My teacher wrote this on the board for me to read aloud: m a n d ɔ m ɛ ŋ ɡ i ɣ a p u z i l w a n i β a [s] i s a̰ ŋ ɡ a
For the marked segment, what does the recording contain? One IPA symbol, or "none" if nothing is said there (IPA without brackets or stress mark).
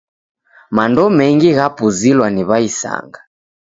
none